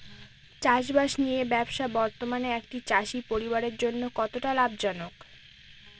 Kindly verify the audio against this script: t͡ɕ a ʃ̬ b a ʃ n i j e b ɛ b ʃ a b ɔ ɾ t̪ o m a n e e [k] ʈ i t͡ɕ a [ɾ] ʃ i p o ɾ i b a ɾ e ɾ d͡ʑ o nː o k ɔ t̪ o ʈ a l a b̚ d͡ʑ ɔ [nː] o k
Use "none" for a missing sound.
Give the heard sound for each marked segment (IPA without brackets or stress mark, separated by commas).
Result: k, none, n